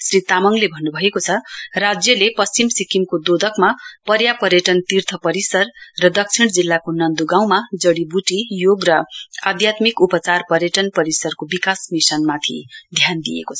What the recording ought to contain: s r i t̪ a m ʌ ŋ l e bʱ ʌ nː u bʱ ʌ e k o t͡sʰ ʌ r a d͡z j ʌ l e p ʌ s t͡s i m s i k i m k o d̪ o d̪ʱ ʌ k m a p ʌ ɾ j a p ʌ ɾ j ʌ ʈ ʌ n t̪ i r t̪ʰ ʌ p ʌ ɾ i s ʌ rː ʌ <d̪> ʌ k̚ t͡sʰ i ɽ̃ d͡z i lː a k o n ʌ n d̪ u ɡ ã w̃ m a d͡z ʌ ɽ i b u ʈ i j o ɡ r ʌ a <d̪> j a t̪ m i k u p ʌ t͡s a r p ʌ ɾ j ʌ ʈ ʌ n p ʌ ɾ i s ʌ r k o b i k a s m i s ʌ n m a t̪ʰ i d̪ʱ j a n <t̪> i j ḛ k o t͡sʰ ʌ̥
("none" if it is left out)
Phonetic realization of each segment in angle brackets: d̪, d̪, d̪

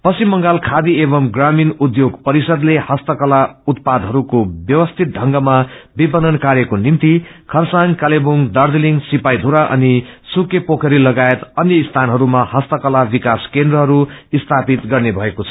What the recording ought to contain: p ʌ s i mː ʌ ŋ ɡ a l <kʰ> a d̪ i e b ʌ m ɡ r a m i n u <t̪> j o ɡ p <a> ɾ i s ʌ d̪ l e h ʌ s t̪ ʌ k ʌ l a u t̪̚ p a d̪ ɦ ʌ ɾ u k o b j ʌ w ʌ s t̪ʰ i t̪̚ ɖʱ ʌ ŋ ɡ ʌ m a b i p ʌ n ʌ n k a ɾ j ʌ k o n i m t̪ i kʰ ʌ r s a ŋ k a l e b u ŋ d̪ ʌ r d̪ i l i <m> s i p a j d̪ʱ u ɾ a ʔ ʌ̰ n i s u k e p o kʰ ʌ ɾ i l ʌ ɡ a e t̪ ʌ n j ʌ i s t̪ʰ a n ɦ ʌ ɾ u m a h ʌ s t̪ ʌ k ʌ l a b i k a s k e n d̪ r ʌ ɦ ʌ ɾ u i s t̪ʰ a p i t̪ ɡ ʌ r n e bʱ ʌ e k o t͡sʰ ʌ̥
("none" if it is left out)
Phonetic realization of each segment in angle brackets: kʰ, d̪, ʌ, ŋ

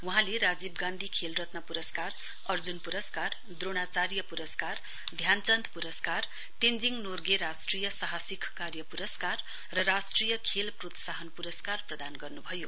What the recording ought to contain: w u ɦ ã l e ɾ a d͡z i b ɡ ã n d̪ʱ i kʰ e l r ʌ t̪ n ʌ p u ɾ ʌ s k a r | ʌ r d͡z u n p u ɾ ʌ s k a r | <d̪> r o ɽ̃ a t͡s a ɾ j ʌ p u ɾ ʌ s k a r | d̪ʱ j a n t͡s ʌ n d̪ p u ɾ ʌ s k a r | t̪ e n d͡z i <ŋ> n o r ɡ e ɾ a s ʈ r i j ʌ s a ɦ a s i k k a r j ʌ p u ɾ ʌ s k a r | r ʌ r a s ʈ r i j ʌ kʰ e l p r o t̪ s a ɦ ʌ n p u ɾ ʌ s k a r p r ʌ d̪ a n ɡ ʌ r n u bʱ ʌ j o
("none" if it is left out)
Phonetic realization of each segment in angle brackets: d̪, ŋ

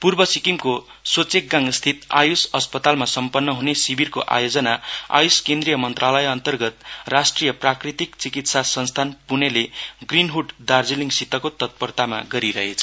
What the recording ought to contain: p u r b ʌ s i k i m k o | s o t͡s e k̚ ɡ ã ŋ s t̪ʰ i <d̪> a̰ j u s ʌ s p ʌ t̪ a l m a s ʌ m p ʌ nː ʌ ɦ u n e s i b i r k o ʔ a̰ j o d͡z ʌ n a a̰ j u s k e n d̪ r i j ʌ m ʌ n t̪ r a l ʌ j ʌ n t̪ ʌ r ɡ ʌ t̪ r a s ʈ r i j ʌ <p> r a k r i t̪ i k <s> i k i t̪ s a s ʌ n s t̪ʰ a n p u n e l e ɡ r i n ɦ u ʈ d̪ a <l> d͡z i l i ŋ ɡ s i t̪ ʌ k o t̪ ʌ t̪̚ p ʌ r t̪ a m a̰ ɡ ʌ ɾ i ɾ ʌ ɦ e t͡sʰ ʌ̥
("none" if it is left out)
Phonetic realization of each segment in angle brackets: t̪, p, t͡s, r

